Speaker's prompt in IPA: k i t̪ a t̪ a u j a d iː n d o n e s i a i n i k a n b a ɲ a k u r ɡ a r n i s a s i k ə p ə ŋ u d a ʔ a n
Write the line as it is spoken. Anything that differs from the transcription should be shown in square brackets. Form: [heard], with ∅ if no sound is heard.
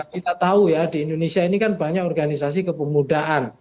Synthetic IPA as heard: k i t̪ a t̪ a u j a d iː n d o n e s i a i n i k a n b a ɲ a k [ɔ] r ɡ a [∅] n i s a s i k ə p ə [m] u d a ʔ a n